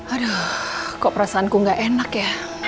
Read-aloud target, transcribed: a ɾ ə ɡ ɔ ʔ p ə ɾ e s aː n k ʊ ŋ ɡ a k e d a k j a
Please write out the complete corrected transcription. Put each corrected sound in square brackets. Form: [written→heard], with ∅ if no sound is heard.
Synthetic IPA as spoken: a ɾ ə [ɡ→k] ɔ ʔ p ə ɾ [e→a] s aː n k [ʊ→u] ŋ ɡ a [k→ʔ] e [d→n] a k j a